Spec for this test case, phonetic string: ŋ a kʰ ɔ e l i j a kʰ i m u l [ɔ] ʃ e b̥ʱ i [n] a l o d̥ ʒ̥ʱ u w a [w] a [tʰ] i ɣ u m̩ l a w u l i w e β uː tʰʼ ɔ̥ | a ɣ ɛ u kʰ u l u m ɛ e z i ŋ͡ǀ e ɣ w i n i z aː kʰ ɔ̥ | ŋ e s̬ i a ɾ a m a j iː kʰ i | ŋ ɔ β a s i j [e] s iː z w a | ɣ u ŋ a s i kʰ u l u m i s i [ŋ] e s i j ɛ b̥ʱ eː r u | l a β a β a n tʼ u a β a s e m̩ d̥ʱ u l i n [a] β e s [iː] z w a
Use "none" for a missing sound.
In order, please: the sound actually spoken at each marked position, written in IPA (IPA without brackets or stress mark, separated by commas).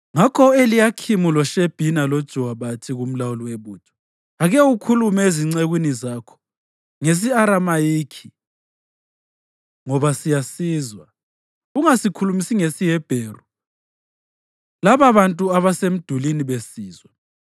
ɔ, n, β, tʰ, a, ŋ, i, iː